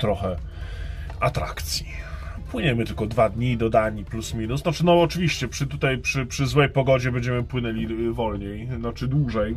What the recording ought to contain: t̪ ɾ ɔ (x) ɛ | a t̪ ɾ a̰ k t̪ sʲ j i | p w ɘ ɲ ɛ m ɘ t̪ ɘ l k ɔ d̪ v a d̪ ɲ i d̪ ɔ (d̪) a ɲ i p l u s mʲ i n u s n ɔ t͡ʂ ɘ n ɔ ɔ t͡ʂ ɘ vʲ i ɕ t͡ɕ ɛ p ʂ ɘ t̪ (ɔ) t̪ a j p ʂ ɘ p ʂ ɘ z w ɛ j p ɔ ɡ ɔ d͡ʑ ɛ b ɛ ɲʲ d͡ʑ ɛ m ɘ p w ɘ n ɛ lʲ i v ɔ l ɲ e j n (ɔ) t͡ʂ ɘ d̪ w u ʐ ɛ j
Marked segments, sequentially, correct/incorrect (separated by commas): correct, correct, incorrect, correct